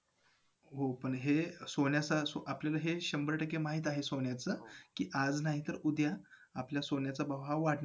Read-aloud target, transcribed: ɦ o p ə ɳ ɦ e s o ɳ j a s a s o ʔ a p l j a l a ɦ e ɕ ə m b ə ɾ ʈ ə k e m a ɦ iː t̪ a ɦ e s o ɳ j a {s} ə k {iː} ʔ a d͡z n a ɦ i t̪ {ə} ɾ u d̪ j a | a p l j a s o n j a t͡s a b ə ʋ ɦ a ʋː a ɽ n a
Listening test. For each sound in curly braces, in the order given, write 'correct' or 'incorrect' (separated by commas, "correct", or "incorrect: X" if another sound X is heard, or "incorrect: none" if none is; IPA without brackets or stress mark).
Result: incorrect: t͡s, correct, correct